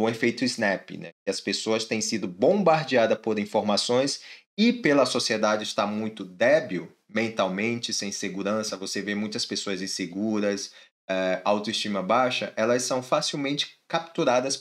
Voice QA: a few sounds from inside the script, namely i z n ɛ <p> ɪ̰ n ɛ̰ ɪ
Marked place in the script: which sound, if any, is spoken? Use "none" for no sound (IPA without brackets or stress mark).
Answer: p